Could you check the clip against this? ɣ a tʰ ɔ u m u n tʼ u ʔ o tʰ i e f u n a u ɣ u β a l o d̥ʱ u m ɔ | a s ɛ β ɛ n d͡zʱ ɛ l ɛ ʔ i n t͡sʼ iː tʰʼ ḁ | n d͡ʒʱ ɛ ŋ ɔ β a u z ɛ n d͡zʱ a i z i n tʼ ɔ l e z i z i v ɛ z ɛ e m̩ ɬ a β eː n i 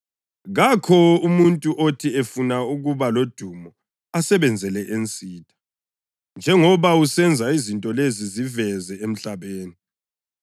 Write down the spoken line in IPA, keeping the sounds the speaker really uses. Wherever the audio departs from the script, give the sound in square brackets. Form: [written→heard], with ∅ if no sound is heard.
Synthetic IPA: ɣ a [tʰ→kʰ] ɔ u m u n tʼ u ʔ o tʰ i e f u n a u ɣ u β a l o d̥ʱ u m ɔ | a s ɛ β ɛ n d͡zʱ ɛ l ɛ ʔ [i→e] n t͡sʼ iː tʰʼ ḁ | n d͡ʒʱ ɛ ŋ ɔ β a u [z→s] ɛ n d͡zʱ a i z i n tʼ ɔ l e z i z i v ɛ z ɛ e m̩ ɬ a β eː n i